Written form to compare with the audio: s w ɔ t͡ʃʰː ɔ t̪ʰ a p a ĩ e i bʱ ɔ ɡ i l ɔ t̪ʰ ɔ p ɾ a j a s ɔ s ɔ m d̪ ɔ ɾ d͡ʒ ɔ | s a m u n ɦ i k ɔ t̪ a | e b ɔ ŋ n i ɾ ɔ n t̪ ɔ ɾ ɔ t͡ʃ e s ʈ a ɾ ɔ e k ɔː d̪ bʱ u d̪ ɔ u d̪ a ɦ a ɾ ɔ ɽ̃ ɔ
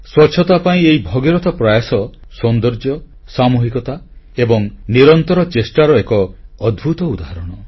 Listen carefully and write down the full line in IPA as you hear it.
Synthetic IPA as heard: s w ɔ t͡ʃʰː ɔ t̪ a p a ĩ e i bʱ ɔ ɡ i ɾ ɔ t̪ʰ ɔ p ɾ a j a s ɔ s ɔ n d̪ ɔ ɾ d͡ʒ ɔ | s a m u ɦ i k ɔ t̪ a | e b ɔ ŋ n i ɾ ɔ n t̪ ɔ ɾ ɔ t͡ʃ e s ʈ a ɾ ɔ e k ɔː d̪ bʱ u t̪ ɔ u d̪ a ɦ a ɾ ɔ ɽ̃ ɔ

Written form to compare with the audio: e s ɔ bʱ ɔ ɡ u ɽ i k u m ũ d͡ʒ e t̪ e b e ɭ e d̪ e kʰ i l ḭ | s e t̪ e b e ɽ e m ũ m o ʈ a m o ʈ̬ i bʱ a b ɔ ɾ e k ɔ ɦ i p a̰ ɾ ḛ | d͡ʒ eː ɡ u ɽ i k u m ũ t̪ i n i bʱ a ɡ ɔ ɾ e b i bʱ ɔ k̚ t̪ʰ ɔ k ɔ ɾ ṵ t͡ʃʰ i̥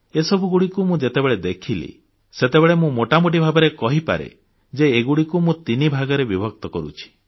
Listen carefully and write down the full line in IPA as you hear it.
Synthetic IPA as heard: e s ɔ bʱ u ɡ u ɽ i k u m ũ d͡ʒ e t̪ e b e ɭ e d̪ e kʰ i l ḭ | s e t̪ e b e ɭ e m ũ m o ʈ a m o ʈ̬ i bʱ a b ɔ ɾ e k ɔ ɦ i p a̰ ɾ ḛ | d͡ʒ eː ɡ u ɽ i k u m ũ t̪ i n i bʱ a ɡ ɔ ɾ e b i bʱ ɔ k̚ t̪ ɔ k ɔ ɾ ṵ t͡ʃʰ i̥

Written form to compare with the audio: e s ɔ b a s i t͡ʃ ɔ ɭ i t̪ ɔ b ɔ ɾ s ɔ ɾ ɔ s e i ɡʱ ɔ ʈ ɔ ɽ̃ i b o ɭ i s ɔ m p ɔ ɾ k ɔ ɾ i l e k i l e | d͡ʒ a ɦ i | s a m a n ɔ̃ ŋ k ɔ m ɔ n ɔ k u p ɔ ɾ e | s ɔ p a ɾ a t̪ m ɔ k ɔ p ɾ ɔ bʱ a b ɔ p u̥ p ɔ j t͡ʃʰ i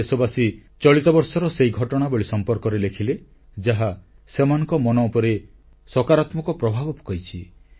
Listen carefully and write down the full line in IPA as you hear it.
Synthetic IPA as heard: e s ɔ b a s i t͡ʃ ɔ ɭ i t̪ ɔ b ɔ ɾ s ɔ ɾ ɔ s e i ɡʱ ɔ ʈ ɔ ɽ̃ a b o ɭ i s ɔ m p ɔ ɾ k ɔ ɾ e l e kʰ i l e | d͡ʒ a ɦ a | s e m a n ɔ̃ ŋ k ɔ m ɔ n ɔ u p ɔ ɾ e | s ɔ k a ɾ a t̪ m ɔ k ɔ p ɾ ɔ bʱ a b ɔ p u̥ k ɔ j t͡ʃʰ i

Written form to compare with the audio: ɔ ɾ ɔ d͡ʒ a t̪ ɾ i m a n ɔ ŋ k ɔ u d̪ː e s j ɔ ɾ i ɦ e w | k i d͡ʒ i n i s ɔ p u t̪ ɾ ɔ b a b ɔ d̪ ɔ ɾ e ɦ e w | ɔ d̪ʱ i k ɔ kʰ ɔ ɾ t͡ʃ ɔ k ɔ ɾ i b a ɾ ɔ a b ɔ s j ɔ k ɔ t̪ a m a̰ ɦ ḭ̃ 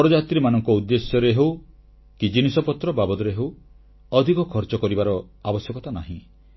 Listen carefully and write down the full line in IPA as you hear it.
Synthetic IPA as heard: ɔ ɾ ɔ d͡ʒ a t̪ ɾ i m a n ɔ ŋ k ɔ u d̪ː e s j ɔ ɾ e ɦ e w | k i d͡ʒ i n i s ɔ p ɔ t̪ ɾ ɔ b a b ɔ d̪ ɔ ɾ e ɦ e w | ɔ d̪ʱ i k ɔ kʰ ɔ ɾ t͡ʃ ɔ k ɔ ɾ i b a ɾ ɔ a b ɔ s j ɔ k ɔ t̪ a n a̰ ɦ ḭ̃

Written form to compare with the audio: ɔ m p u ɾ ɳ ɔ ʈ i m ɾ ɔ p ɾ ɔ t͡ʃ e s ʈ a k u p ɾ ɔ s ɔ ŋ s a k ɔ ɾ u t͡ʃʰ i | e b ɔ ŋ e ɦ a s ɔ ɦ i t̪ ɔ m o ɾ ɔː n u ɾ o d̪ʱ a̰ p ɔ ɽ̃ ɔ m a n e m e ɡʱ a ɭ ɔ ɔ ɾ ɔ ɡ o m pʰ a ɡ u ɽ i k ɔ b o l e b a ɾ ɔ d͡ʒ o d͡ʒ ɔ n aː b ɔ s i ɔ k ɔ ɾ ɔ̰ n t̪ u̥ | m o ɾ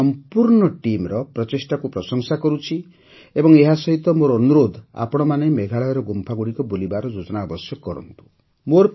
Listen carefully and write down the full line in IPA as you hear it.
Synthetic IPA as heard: ɔ m p u ɾ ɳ ɔ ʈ i m ɾ ɔ p ɾ ɔ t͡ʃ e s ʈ a k u p ɾ ɔ s ɔ ŋ s a k ɔ ɾ u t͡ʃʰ i | e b ɔ ŋ e ɦ a s ɔ ɦ i t̪ ɔ m o ɾ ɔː n u ɾ o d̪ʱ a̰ p ɔ ɽ̃ ɔ m a n e m e ɡʱ a ɭ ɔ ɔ ɾ ɔ ɡ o m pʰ a ɡ u ɽ i k ɔ b o l i b a ɾ ɔ d͡ʒ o d͡ʒ ɔ n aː b ɔ s j ɔ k ɔ ɾ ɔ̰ n t̪ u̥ | m o ɾ

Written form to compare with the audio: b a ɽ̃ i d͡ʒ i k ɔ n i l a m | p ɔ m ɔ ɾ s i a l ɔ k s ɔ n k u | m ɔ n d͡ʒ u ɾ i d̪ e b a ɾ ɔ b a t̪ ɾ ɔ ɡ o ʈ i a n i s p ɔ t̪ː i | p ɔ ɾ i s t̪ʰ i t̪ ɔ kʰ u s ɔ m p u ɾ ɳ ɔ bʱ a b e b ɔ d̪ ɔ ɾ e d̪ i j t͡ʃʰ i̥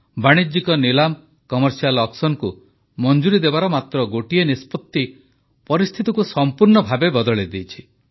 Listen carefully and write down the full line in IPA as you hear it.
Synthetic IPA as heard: b a ɽ̃ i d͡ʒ i k ɔ n i l a m | k ɔ m ɔ ɾ s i a l ɔ k s ɔ n k u | m ɔ n d͡ʒ u ɾ i d̪ e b a ɾ ɔ m a t̪ ɾ ɔ ɡ o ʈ i e n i s p ɔ t̪ː i | p ɔ ɾ i s t̪ʰ i t̪ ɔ k u s ɔ m p u ɾ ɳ ɔ bʱ a b e b ɔ d̪ ɔ ɭ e d̪ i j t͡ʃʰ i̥

